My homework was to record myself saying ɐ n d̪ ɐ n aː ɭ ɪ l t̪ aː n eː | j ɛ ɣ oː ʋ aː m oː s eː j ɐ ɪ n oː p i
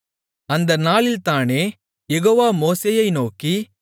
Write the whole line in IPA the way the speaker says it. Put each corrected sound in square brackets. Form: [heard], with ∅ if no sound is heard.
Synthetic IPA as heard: ɐ n d̪ ɐ n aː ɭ ɪ l t̪ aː n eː | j ɛ ɣ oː ʋ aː m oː s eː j ɐ ɪ n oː [k] i